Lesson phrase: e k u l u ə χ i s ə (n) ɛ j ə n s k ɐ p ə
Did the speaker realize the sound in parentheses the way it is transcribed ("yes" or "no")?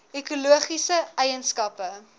no